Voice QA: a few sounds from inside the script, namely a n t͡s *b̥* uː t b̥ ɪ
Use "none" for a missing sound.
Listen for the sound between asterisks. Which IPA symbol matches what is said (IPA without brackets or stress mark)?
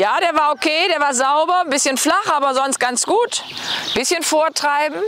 ɡ̥